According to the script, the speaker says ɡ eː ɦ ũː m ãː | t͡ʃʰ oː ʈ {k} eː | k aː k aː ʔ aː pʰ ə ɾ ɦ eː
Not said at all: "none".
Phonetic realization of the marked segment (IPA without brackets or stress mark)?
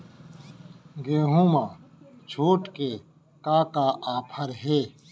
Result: k